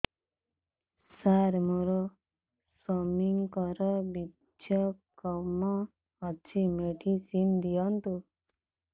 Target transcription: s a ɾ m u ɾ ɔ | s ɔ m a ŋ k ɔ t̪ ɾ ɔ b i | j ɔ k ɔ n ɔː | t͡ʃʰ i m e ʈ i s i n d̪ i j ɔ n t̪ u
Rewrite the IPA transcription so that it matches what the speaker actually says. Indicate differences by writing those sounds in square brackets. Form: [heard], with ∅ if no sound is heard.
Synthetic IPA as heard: s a ɾ m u ɾ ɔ | s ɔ m [i] ŋ k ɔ [∅] ɾ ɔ b i | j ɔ k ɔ [m] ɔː | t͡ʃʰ i m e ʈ i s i n d̪ i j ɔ n t̪ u